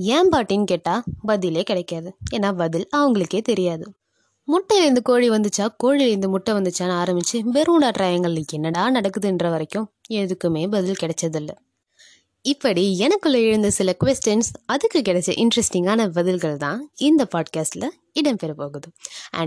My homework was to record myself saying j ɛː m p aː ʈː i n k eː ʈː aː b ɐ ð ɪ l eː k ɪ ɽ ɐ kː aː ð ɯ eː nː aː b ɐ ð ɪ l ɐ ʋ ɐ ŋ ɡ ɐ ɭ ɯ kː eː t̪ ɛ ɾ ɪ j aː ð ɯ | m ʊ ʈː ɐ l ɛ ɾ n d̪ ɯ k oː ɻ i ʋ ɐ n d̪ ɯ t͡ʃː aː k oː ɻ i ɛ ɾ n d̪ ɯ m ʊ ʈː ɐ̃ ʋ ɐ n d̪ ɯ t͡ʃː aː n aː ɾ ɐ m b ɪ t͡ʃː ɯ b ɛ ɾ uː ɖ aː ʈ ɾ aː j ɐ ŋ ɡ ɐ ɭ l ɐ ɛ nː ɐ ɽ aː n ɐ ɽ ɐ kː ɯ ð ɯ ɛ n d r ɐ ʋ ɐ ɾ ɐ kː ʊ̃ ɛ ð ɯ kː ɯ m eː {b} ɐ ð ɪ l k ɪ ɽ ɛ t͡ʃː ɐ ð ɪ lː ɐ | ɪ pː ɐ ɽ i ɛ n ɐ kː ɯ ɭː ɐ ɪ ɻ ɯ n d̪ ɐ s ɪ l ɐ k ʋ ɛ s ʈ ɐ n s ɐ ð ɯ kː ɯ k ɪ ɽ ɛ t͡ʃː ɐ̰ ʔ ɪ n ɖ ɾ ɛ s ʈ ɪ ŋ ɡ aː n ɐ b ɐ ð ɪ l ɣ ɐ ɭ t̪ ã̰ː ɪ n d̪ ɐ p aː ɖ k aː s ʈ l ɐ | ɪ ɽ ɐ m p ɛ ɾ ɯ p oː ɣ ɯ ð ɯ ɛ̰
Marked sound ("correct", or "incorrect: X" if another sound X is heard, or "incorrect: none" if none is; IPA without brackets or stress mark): correct